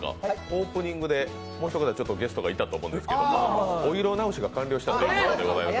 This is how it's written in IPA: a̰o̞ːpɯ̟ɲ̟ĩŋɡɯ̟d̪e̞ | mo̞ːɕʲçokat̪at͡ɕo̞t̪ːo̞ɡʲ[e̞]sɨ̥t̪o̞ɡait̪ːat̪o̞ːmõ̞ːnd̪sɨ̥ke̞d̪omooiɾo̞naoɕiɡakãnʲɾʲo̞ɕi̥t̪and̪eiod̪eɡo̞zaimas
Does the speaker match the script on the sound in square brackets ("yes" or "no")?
yes